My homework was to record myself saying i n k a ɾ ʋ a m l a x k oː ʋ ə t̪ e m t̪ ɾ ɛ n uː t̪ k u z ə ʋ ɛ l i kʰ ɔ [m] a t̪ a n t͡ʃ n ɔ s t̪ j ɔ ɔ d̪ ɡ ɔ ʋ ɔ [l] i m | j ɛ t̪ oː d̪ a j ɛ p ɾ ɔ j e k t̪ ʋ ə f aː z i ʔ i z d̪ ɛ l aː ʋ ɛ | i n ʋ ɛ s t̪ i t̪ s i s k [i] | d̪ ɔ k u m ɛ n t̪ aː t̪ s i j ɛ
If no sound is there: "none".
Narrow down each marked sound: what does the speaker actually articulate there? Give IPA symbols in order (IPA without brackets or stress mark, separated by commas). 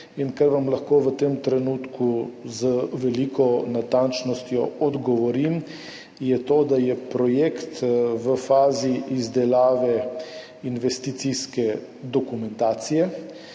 n, ɾ, ɛ